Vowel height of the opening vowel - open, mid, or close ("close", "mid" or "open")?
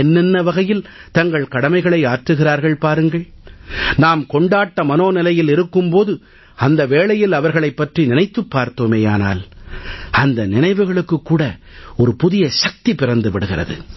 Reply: mid